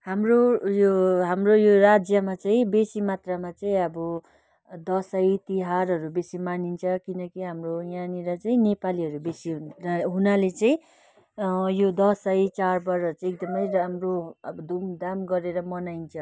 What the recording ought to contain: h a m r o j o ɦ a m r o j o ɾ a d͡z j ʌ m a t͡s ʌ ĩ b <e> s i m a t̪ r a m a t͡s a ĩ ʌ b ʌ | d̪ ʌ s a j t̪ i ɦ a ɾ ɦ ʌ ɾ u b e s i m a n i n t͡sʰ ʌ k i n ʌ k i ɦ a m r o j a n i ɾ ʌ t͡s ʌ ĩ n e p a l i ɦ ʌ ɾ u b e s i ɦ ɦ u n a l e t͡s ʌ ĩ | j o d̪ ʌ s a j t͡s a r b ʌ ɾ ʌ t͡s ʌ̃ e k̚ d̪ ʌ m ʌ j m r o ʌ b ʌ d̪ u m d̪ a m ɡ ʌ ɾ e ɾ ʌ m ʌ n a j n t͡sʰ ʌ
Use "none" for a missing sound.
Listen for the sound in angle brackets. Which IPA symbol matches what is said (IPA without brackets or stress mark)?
e